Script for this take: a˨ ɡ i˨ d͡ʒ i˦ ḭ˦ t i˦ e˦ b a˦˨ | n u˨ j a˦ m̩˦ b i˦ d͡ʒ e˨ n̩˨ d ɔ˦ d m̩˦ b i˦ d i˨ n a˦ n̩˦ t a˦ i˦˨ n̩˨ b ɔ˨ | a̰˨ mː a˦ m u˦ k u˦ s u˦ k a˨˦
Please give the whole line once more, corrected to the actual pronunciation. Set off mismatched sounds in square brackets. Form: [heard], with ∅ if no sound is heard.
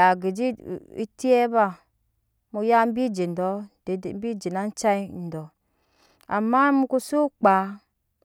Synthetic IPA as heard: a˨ ɡ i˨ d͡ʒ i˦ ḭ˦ t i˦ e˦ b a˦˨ | [m] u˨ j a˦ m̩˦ b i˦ d͡ʒ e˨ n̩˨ d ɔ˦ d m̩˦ b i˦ [d͡ʒ] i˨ n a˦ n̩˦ [t͡ʃ] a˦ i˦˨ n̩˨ [d] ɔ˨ | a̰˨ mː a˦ m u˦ k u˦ s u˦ [k͡p] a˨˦